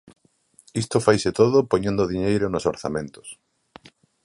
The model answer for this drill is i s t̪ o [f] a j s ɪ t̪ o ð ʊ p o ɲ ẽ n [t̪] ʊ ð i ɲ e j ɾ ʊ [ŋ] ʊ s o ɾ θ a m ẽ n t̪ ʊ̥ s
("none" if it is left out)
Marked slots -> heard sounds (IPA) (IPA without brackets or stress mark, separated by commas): f, d̪, n